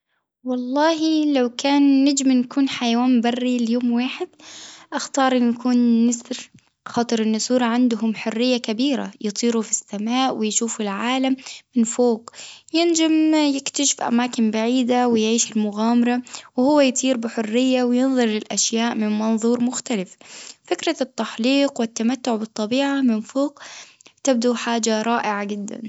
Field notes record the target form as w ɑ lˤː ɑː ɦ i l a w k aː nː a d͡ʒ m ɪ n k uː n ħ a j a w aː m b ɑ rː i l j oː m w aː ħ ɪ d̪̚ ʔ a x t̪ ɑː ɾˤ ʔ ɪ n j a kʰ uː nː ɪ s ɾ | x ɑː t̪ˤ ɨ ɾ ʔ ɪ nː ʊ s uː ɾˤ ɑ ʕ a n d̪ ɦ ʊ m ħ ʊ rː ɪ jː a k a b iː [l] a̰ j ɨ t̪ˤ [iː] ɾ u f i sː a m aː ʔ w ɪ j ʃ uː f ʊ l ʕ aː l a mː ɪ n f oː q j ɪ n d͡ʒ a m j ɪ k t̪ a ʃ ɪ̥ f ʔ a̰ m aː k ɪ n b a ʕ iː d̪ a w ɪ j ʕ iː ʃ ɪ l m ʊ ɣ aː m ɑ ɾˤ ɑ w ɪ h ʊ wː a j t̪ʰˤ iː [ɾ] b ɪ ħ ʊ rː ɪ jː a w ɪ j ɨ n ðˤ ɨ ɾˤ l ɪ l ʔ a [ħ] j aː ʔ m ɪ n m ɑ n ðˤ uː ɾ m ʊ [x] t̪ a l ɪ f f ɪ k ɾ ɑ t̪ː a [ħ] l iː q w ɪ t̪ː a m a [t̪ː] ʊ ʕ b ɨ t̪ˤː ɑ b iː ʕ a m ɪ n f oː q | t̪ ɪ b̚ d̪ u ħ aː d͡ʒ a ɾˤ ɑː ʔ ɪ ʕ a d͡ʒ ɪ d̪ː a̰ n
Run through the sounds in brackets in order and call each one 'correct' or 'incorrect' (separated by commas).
incorrect, correct, correct, incorrect, correct, correct, correct